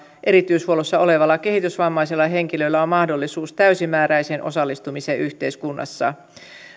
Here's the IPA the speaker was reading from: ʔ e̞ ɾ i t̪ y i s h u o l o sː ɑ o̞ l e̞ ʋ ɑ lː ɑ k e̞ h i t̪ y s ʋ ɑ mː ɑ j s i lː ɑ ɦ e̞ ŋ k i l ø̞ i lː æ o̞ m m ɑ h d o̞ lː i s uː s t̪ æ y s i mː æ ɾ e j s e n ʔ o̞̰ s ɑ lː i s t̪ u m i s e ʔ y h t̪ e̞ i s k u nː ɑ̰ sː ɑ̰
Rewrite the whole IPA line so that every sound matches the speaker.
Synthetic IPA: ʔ e̞ ɾ i t̪ y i s h u o l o sː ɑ o̞ l e̞ ʋ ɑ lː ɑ k e̞ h i t̪ y s ʋ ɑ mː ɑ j s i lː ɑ ɦ e̞ ŋ k i l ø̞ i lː æ o̞ m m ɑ h d o̞ lː i s uː s t̪ æ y s i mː æː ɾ æ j s e n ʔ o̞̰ s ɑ lː i s t̪ u m i s e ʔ y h t̪ e̞ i s k u nː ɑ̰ sː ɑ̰